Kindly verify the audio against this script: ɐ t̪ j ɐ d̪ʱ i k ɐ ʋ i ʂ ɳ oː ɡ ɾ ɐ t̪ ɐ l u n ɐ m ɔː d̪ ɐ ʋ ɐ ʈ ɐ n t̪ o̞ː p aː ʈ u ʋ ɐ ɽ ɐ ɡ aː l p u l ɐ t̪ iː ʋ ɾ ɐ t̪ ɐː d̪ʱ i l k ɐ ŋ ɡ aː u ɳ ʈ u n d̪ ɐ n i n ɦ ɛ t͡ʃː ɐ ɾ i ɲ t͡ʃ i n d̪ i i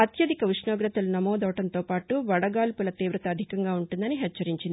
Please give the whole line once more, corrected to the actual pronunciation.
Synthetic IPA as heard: ɐ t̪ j ɐ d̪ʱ i k ɐ ʋ i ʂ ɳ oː ɡ ɾ ɐ t̪ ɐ l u n ɐ m ɔː d̪ ɐ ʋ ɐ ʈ ɐ n t̪ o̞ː p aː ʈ u ʋ ɐ ɽ ɐ ɡ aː l p u l ɐ t̪ iː ʋ ɾ ɐ t̪ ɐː d̪ʱ i k ɐ ŋ ɡ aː u ɳ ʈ u n d̪ ɐ n i ɦ ɛ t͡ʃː ɐ ɾ i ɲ t͡ʃ i n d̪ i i